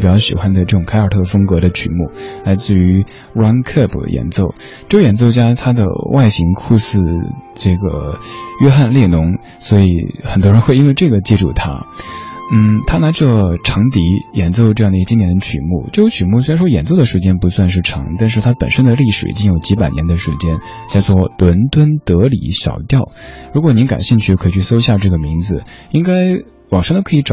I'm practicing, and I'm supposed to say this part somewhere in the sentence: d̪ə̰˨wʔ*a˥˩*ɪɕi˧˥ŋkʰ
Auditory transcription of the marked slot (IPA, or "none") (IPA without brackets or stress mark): a˥˩